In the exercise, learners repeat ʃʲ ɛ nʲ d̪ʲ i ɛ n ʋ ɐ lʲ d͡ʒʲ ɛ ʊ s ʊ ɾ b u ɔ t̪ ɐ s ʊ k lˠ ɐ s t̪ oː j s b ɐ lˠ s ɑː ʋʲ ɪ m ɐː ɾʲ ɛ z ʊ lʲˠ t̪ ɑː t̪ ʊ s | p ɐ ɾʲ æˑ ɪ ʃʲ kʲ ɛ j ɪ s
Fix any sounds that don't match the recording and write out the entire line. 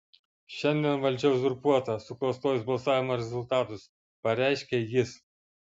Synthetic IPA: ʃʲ ɛ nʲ d̪ʲ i ɛ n ʋ ɐ lʲ d͡ʒʲ ɛ ʊ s ʊ ɾ p u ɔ t̪ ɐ s ʊ k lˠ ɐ s t̪ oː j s b ɐ lˠ s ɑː ʋʲ ɪ m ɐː ɾʲ ɛ z ʊ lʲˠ t̪ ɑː t̪ ʊ s | p ɐ ɾʲ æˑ ɪ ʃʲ kʲ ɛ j ɪ s